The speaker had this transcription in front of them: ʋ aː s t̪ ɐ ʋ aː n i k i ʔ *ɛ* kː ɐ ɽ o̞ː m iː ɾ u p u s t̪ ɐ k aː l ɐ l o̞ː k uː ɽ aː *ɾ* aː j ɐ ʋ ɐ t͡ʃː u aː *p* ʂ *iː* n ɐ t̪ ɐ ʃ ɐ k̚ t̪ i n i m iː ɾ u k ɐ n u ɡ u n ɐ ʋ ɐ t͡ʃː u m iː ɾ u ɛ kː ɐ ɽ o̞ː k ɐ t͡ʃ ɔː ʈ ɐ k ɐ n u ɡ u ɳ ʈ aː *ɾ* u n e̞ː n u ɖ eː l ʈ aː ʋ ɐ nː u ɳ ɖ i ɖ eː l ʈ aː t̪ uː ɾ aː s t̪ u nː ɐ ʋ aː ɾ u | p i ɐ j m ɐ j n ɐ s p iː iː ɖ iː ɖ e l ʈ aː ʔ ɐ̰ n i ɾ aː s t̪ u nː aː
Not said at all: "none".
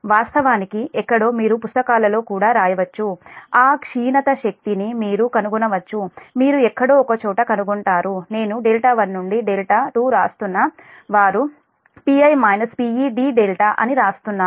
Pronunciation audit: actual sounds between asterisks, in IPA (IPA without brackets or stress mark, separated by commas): ɛ, ɾ, k, iː, ɾ